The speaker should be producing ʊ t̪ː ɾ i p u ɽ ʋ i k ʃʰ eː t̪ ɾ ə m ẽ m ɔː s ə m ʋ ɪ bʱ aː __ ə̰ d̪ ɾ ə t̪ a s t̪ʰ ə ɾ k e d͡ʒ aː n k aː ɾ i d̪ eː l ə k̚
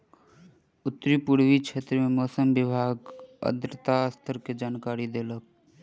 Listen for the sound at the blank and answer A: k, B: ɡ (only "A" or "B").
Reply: B